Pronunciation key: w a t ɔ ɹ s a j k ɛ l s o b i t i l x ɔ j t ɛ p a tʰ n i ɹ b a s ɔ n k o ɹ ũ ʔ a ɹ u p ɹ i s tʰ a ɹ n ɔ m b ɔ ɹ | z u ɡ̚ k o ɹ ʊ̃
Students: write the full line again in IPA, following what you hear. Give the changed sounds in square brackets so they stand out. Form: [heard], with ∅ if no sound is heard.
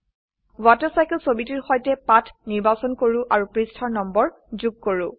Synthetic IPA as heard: w a t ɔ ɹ s a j k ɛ l s o b i t i [ɹ] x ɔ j t ɛ p a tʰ n i ɹ b a s ɔ n k o ɹ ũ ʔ a ɹ u p ɹ i s tʰ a ɹ n ɔ m b ɔ ɹ | z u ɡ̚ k o ɹ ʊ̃